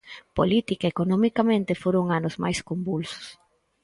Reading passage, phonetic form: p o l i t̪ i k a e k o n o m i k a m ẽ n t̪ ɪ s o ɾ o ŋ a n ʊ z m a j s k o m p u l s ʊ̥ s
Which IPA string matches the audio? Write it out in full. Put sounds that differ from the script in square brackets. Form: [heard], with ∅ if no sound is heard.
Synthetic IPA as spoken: p o l i t̪ i k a e k o n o m i k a m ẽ n t̪ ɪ [f] o ɾ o ŋ a n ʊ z m a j s k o m [b] u l s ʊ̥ s